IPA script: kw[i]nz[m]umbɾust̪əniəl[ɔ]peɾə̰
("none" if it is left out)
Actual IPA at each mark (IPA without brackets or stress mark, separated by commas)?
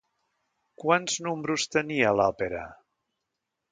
a, n, ɔ